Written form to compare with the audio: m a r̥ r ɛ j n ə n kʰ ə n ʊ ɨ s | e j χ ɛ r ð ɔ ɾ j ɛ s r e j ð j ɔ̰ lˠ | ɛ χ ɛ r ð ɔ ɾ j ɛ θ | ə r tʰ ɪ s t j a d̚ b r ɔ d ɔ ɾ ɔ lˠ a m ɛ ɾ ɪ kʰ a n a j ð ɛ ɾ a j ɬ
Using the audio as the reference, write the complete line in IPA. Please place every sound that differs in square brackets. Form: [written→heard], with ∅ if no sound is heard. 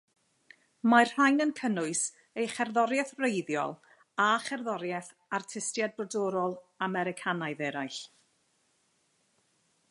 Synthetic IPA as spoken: m a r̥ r [ɛ→a] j n ə n kʰ ə n ʊ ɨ s | e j χ ɛ r ð ɔ ɾ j ɛ [s→θ] r e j ð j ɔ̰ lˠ | [ɛ→a] χ ɛ r ð ɔ ɾ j ɛ θ | [ə→a] r tʰ ɪ s t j a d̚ b r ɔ d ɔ ɾ ɔ lˠ a m ɛ ɾ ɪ kʰ a n a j ð ɛ ɾ a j ɬ